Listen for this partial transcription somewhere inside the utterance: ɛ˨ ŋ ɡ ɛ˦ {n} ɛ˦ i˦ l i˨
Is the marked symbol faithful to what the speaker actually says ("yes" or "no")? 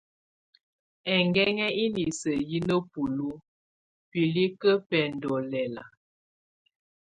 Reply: no